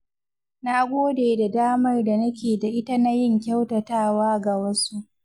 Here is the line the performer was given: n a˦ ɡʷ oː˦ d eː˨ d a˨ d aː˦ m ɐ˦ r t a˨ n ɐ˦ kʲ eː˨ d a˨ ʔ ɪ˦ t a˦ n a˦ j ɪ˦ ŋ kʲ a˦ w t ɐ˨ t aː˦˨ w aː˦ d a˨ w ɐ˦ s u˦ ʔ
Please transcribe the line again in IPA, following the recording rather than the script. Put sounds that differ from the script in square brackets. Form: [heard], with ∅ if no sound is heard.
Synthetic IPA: n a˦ ɡʷ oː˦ d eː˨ d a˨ d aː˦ m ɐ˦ r [d] a˨ n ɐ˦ kʲ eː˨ d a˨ ʔ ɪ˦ t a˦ n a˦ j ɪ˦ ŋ kʲ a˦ w t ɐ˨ t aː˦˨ w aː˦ [ɡ] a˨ w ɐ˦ s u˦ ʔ

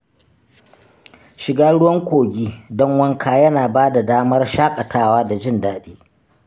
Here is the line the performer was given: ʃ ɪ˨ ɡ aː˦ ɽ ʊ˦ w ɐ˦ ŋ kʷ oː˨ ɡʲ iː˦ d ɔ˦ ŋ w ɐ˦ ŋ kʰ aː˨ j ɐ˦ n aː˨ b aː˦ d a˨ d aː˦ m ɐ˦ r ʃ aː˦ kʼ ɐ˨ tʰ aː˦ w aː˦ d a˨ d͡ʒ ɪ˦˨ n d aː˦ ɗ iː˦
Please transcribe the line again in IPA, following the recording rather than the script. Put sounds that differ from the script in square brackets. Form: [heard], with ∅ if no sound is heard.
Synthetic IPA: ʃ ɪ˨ ɡ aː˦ ɽ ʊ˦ w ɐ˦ ŋ kʷ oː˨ ɡʲ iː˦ d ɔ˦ ŋ w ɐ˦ ŋ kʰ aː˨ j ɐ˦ n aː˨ b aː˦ d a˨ d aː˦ m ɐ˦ r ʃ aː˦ kʼ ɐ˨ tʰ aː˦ w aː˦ d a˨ d͡ʒ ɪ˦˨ n d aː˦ ɗ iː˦

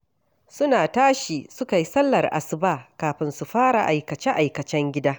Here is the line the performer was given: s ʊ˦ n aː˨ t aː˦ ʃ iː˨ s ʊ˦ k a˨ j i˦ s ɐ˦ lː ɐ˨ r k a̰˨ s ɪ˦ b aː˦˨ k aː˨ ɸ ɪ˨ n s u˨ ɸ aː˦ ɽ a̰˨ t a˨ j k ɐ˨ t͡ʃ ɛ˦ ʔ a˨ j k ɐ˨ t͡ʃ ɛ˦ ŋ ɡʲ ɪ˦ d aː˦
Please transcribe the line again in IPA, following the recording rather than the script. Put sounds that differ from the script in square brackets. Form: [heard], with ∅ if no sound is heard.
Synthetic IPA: s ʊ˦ n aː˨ t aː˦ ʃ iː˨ s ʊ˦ k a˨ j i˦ s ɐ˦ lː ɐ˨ r [ʔ] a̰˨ s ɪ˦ b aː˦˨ k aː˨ ɸ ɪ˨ n s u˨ ɸ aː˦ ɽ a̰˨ [ʔ] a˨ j k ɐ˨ t͡ʃ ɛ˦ ʔ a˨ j k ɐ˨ t͡ʃ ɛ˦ ŋ ɡʲ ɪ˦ d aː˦

